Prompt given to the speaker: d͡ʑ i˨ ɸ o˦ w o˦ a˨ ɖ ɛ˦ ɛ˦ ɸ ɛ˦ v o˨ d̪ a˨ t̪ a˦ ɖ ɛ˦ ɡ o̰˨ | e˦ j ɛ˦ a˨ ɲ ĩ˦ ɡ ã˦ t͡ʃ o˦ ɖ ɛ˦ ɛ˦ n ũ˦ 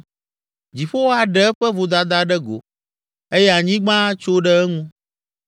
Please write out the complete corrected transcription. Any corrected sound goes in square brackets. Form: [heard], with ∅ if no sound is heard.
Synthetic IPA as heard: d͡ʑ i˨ ɸ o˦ w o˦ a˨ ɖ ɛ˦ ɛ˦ ɸ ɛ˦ v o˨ d̪ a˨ [d̪] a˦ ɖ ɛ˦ ɡ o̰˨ | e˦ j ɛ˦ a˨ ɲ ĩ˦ [ɡ͡b] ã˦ t͡ʃ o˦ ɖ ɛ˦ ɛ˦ [ŋ] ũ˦